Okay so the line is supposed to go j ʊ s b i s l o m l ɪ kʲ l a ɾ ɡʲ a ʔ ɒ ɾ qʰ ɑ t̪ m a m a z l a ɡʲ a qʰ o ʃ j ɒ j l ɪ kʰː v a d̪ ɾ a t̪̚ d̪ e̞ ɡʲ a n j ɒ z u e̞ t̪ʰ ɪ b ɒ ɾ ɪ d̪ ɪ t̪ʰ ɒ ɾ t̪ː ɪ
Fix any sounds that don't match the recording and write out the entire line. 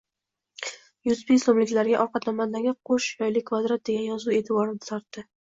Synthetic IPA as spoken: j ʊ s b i s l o m l ɪ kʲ l a ɾ ɡʲ a ʔ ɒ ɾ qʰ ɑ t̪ n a m a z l a ɡʲ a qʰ o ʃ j ɒ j l ɪ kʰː v a d̪ ɾ a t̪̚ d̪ e̞ ɡʲ a n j ɒ z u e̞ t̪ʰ ɪ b ɒ ɾ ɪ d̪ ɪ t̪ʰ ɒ ɾ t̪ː ɪ